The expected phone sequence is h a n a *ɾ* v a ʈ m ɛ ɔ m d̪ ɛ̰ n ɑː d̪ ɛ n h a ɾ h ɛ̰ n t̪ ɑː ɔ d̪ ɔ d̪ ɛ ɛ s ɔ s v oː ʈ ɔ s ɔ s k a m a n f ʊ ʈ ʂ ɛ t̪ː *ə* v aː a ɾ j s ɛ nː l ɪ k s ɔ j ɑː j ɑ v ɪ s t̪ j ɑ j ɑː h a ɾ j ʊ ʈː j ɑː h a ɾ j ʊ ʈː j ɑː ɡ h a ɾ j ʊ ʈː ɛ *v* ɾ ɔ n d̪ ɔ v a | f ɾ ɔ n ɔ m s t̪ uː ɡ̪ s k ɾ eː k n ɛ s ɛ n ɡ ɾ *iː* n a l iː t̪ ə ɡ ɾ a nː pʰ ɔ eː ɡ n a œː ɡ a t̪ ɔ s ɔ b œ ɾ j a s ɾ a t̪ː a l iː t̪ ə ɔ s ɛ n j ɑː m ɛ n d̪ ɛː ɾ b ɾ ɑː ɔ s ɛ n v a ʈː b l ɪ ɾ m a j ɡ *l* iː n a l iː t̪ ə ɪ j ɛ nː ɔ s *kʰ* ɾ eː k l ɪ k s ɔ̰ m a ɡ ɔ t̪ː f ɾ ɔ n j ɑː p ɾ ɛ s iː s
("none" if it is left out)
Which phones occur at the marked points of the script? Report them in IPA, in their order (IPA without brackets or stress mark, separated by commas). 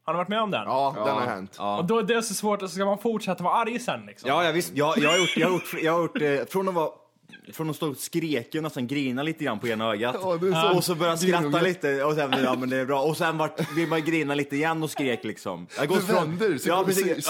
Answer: ɾ, a, f, iː, ɾ, k